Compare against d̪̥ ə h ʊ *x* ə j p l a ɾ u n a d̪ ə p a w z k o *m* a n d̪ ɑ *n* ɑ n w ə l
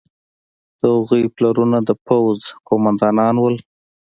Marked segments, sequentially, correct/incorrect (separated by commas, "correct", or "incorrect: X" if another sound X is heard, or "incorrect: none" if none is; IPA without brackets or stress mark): incorrect: ɣ, correct, correct